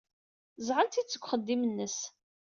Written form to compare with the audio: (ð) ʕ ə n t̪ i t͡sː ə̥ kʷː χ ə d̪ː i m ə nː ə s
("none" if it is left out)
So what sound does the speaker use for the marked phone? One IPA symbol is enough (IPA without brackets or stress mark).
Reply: z